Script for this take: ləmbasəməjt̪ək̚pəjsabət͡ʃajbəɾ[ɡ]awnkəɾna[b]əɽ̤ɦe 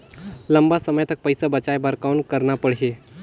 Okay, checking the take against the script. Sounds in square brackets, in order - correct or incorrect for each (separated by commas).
incorrect, incorrect